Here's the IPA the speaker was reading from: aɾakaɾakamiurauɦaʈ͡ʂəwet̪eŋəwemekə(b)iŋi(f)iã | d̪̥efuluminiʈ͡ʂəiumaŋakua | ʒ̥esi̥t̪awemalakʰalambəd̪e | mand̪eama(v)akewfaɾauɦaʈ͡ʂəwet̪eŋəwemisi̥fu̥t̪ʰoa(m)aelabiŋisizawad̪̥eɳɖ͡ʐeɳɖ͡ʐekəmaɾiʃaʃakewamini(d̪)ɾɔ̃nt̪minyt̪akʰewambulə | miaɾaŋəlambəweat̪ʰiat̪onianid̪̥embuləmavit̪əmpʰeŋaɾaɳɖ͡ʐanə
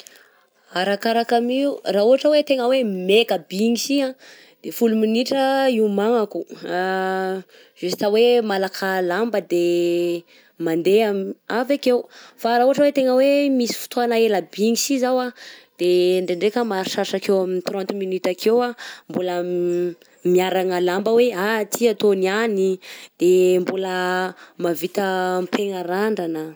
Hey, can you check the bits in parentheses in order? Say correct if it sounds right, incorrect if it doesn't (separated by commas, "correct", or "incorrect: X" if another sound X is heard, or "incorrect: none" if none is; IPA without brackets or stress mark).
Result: correct, incorrect: s, correct, incorrect: n, incorrect: t̪